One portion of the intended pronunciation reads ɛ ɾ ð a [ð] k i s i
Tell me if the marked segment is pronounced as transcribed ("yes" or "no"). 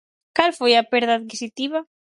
yes